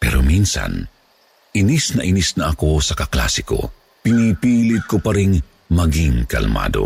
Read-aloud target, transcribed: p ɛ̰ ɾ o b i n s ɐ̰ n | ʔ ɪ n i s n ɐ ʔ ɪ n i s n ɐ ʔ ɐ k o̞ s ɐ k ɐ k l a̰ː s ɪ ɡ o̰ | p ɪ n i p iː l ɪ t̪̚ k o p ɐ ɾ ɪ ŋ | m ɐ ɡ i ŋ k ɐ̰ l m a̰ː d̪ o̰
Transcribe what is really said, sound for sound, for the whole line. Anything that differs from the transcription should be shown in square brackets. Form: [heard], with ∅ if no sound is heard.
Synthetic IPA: p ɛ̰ ɾ o [m] i n s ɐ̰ n | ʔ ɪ n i s n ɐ ʔ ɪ n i s n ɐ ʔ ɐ k o̞ s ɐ k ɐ k l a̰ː s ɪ [k] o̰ | p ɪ n i p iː l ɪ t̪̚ k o p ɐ ɾ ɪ ŋ | m ɐ ɡ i ŋ k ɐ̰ l m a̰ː d̪ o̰